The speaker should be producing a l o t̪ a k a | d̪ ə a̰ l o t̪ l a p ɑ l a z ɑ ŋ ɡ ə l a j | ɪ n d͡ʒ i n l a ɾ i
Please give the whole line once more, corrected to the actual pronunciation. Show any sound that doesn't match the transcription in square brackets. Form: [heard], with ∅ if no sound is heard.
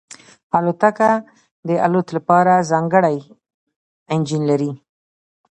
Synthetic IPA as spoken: a l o t̪ a k a | d̪ ə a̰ l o t̪ l a p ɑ [ɾ] a z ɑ ŋ ɡ ə [ɽ] a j | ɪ n d͡ʒ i n l a ɾ i